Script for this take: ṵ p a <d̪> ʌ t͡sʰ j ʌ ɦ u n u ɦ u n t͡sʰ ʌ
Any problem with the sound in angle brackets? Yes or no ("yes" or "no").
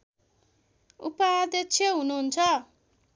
no